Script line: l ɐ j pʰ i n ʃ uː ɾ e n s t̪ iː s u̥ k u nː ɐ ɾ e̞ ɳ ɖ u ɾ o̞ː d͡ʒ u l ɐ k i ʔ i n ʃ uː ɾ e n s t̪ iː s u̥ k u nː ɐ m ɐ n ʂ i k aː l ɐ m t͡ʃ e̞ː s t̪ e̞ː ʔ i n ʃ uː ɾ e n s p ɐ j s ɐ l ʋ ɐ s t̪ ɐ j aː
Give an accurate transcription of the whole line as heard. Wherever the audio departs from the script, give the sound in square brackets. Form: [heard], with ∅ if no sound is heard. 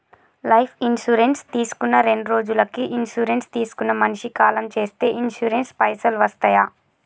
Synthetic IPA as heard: l ɐ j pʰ i n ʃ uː ɾ e n s t̪ iː s u̥ k u nː ɐ ɾ e̞ ɳ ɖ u ɾ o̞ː d͡ʒ u l ɐ k i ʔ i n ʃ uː ɾ e n s t̪ iː s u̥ k u nː ɐ m ɐ n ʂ i k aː l ɐ m t͡ʃ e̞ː s t̪ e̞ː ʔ i n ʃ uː ɾ e n s p ɐ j s ɐ l ʋ ɐ s t̪ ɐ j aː